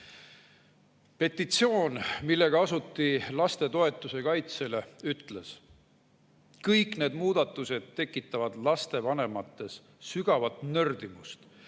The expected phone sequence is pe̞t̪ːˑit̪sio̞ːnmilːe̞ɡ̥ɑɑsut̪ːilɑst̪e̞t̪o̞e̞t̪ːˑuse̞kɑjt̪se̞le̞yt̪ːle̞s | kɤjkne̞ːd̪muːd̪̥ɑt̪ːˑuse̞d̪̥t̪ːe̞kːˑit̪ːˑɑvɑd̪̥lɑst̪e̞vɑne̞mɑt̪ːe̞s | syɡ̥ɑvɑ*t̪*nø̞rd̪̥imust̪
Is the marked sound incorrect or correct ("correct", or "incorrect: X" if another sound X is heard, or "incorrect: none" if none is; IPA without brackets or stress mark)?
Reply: correct